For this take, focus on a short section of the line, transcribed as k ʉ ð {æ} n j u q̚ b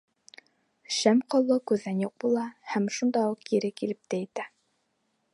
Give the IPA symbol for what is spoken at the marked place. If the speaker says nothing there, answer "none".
æ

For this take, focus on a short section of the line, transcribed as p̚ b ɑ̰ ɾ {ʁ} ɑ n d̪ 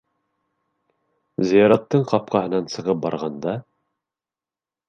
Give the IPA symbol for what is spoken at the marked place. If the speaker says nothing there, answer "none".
ʁ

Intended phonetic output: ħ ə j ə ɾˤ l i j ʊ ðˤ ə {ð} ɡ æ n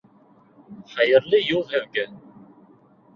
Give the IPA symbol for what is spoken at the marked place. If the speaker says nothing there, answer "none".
v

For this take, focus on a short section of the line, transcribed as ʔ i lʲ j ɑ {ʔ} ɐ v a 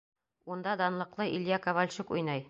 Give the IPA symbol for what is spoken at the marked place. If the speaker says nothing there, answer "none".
k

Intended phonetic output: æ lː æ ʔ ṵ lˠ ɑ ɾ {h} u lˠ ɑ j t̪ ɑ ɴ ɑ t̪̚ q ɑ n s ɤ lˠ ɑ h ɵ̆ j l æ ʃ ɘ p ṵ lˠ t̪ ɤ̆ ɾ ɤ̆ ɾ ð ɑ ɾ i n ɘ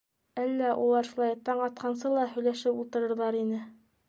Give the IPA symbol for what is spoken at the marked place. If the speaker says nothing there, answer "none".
ʃ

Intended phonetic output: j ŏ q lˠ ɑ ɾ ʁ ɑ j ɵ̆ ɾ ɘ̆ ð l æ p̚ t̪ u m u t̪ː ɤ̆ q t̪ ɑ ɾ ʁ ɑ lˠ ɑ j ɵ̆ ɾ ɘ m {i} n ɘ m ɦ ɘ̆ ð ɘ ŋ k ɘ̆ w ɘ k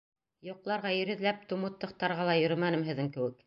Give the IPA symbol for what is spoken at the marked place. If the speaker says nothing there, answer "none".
æ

